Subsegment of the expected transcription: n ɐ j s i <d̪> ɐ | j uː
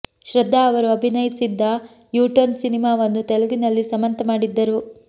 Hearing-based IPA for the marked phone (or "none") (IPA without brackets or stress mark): d̪ː